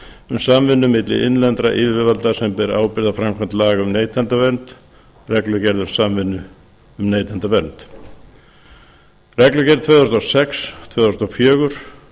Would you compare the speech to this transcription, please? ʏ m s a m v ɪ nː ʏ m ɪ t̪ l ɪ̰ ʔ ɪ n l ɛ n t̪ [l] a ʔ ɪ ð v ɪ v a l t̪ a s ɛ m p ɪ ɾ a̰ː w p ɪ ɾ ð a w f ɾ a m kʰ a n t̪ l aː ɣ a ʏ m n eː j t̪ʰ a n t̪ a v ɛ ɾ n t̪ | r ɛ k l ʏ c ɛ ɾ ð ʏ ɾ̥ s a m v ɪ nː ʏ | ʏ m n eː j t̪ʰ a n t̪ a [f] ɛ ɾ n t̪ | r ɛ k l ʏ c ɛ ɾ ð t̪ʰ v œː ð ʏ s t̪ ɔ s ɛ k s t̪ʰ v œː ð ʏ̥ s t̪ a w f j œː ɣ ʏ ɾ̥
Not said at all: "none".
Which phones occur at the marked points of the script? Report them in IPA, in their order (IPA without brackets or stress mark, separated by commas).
ɾ, v